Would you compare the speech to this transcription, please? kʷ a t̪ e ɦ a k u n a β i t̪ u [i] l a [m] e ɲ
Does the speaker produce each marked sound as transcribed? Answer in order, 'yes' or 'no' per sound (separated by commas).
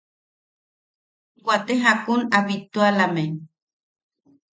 no, yes